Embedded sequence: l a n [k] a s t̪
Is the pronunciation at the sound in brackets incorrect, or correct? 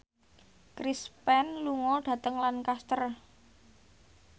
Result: correct